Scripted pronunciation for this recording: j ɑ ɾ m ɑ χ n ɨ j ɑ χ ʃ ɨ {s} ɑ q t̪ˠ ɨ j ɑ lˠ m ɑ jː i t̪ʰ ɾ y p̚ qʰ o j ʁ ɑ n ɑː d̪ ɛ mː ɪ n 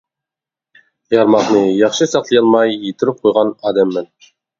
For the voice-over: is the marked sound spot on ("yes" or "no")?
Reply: yes